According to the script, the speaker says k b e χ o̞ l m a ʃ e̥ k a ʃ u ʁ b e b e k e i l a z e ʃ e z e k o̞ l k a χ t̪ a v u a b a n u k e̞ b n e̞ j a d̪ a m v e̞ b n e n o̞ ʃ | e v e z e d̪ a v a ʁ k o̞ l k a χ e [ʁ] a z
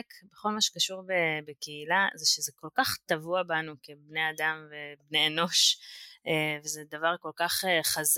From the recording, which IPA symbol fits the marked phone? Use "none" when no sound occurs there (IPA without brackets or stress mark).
χ